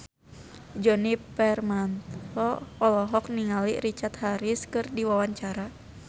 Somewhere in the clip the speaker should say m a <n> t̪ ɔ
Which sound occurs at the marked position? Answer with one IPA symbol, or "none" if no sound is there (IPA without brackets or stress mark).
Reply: n